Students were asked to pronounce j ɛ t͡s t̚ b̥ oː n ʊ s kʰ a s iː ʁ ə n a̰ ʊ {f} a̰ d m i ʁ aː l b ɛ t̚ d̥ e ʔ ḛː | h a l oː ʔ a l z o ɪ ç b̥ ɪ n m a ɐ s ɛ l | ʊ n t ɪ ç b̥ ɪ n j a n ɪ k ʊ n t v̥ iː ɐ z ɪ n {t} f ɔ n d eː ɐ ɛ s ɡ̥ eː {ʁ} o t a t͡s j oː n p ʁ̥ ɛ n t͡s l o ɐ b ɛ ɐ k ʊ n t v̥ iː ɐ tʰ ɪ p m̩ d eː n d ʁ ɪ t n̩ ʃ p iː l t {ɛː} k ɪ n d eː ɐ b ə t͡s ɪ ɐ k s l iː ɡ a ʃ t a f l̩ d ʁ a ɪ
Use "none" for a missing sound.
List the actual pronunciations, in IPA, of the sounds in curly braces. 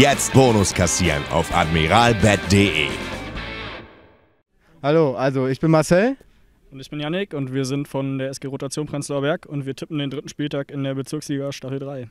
f, t, ʁ, aː

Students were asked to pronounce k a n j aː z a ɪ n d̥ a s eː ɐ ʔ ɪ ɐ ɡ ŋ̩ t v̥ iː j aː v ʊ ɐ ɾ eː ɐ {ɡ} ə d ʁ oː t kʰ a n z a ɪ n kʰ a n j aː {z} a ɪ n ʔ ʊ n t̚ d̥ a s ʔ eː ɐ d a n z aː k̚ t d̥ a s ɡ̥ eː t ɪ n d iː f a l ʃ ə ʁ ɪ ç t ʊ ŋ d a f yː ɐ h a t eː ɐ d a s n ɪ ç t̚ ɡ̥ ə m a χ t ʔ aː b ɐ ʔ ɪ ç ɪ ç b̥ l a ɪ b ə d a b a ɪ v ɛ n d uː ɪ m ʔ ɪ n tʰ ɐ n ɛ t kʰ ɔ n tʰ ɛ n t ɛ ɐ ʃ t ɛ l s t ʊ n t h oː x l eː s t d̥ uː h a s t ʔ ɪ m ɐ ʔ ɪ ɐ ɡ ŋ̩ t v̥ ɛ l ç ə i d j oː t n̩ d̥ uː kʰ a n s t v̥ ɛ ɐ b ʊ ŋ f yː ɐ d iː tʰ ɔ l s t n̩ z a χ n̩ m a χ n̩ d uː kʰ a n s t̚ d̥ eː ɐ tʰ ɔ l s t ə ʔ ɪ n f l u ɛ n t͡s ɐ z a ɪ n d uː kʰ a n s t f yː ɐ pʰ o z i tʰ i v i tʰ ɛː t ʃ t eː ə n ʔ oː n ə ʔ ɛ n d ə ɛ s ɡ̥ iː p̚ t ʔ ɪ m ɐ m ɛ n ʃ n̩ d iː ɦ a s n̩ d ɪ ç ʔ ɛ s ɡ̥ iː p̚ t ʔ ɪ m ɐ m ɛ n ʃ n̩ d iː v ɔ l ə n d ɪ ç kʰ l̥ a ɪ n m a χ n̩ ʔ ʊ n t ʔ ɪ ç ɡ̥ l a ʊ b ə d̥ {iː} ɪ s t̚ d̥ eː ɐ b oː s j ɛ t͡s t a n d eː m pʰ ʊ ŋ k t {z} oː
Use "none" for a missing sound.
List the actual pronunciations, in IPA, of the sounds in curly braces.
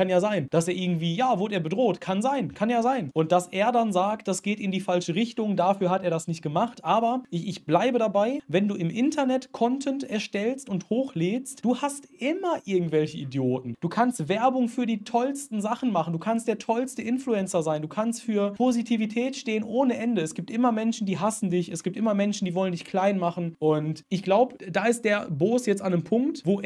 b, z, aː, v

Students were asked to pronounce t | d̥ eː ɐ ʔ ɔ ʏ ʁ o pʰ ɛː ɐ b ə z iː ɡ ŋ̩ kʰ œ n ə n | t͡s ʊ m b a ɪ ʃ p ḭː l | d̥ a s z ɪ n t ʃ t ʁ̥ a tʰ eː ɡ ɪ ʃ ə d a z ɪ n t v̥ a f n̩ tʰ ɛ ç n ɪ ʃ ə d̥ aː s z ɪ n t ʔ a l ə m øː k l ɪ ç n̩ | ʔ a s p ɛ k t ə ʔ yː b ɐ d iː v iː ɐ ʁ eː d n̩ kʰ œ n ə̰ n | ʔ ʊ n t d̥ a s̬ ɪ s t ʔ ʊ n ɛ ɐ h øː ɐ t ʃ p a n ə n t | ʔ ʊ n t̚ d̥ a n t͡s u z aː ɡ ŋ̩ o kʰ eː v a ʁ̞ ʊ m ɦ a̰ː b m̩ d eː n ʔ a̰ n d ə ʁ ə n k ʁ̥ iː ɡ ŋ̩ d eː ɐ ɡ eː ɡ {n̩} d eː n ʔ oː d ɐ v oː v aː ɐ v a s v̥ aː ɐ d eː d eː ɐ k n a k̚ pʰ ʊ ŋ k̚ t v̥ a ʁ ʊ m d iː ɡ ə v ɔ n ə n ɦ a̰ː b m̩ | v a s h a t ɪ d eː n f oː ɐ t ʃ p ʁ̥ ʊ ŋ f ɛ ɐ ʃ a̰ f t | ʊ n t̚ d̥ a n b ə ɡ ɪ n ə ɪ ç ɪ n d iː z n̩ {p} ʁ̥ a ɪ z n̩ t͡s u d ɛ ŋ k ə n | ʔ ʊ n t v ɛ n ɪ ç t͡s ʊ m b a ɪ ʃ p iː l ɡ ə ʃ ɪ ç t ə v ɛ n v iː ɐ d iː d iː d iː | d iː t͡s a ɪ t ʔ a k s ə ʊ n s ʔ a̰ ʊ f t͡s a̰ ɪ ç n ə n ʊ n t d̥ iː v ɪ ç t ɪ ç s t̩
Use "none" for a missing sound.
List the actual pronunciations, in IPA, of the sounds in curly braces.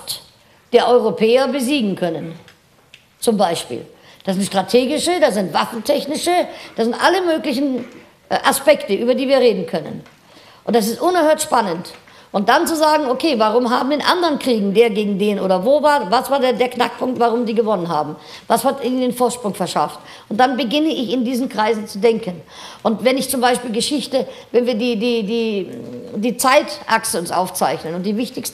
ŋ̩, k

